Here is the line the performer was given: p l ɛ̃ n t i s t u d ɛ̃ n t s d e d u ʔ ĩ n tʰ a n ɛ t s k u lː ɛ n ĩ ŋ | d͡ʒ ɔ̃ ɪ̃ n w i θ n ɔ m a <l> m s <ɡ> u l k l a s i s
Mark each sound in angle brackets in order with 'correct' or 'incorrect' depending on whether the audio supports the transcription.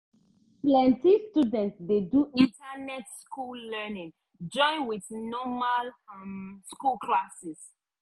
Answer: correct, incorrect: k

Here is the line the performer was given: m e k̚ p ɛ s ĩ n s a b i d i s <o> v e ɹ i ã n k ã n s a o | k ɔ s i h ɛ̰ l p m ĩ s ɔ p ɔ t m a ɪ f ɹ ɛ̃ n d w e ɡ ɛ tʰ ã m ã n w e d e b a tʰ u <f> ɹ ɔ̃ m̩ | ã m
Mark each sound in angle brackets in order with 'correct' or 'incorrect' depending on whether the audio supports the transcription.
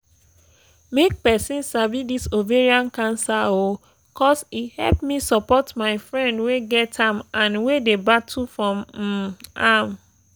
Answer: correct, correct

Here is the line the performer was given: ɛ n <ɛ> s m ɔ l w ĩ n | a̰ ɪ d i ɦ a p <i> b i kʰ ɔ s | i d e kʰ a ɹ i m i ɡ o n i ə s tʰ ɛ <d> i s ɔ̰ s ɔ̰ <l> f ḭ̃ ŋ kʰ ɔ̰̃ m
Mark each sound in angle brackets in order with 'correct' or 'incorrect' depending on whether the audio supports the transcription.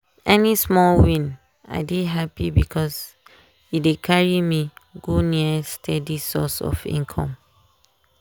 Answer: incorrect: i, correct, correct, incorrect: none

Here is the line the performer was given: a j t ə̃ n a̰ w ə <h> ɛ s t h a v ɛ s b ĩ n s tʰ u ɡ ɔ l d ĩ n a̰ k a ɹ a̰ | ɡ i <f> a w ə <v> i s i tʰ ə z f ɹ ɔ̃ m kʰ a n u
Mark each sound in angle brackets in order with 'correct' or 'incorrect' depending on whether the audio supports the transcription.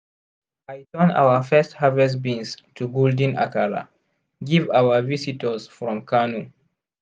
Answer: incorrect: f, incorrect: v, correct

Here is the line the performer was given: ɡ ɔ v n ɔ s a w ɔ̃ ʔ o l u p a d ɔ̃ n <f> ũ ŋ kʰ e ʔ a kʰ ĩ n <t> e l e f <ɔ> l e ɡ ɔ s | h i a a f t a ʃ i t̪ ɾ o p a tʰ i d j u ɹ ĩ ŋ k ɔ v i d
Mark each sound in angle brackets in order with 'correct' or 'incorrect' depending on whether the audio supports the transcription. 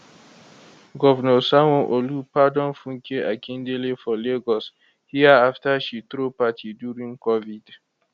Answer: correct, incorrect: d, correct

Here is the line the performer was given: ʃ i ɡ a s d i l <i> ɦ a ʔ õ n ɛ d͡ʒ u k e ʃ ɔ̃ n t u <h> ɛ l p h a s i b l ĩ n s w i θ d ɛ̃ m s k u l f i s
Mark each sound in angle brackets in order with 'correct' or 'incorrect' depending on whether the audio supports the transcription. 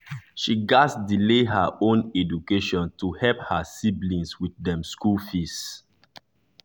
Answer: incorrect: e, correct

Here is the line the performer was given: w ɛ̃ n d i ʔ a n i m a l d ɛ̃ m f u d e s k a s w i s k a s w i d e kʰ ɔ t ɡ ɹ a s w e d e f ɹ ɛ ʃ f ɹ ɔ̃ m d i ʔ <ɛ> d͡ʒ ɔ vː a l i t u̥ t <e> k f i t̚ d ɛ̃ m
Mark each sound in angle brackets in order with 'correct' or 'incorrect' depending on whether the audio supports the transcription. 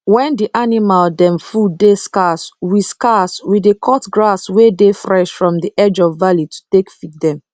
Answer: correct, correct

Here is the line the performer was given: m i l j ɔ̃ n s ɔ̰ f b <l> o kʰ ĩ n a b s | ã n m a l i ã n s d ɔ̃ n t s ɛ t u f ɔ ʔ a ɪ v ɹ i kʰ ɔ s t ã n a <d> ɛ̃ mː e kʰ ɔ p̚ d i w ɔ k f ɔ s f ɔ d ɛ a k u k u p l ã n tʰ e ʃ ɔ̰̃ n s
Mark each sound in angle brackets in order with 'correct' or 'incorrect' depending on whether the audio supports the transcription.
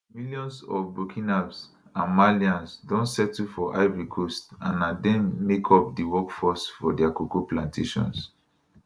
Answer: incorrect: ɹ, correct

